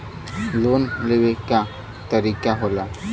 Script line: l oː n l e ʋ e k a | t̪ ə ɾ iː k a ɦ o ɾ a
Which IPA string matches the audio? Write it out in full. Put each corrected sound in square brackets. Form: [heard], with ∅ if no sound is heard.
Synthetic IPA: l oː n l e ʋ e k a | t̪ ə ɾ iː k a ɦ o [l] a